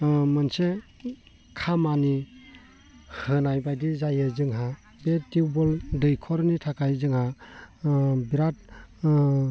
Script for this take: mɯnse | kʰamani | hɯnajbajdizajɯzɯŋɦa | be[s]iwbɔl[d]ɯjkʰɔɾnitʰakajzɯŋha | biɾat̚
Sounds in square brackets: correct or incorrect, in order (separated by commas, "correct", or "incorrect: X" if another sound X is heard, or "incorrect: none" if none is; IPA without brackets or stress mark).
incorrect: t, correct